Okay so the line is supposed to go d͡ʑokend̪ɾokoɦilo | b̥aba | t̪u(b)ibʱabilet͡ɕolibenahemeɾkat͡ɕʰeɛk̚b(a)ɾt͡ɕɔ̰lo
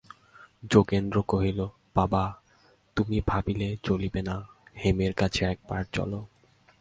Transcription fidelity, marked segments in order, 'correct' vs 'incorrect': incorrect, correct

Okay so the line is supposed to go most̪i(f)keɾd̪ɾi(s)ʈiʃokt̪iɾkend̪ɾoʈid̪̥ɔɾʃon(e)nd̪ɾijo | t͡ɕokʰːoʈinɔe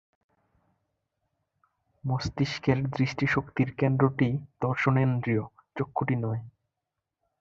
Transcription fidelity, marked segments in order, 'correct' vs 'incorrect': incorrect, incorrect, correct

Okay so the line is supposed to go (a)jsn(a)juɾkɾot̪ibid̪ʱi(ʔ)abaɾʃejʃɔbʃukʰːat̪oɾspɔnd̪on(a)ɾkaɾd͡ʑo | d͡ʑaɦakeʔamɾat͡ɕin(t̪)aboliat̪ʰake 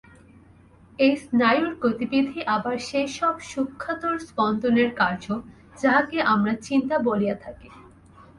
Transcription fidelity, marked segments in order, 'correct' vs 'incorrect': incorrect, correct, correct, incorrect, correct

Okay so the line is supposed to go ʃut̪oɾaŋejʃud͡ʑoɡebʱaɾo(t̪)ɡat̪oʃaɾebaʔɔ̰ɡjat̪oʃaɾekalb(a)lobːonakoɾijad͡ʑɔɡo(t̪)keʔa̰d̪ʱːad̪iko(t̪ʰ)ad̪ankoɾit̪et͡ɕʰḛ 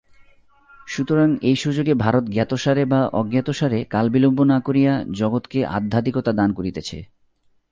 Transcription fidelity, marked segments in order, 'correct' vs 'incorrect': correct, incorrect, correct, incorrect

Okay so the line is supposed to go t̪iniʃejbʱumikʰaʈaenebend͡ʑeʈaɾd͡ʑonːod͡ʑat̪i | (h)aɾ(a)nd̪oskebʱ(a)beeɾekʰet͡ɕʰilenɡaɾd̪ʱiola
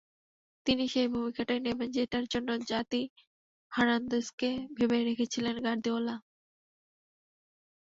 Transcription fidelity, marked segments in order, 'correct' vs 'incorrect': correct, correct, incorrect

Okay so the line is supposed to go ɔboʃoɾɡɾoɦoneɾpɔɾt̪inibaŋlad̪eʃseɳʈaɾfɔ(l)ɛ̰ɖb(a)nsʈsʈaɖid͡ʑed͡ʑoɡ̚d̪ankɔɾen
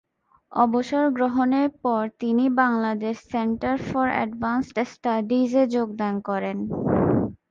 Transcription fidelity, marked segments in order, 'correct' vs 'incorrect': incorrect, correct

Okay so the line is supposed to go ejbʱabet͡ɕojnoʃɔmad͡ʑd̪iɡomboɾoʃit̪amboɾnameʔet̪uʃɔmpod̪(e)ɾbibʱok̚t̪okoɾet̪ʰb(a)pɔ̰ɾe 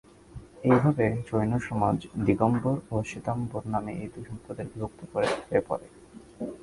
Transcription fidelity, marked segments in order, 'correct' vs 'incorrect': correct, incorrect

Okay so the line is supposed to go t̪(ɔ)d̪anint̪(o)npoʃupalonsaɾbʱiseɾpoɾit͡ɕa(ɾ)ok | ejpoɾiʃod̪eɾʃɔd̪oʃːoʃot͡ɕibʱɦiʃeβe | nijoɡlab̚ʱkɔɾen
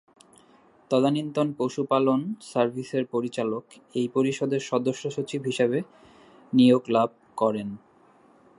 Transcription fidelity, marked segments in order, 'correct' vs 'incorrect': correct, correct, incorrect

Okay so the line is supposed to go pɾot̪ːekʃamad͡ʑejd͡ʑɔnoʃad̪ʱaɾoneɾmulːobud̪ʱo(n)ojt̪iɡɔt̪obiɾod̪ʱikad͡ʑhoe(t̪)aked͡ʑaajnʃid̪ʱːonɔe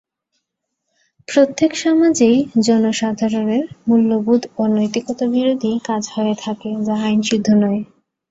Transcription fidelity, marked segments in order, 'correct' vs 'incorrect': correct, incorrect

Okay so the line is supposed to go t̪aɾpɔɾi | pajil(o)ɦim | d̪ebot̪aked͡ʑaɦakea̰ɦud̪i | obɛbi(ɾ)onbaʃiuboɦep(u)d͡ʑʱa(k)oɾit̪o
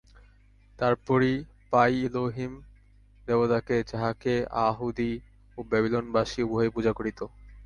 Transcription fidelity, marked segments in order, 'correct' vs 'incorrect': correct, incorrect, correct, correct

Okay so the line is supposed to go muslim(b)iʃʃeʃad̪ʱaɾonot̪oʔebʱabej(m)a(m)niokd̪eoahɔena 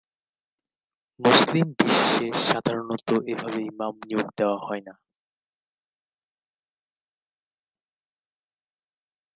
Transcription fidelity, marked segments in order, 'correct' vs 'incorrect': correct, correct, correct

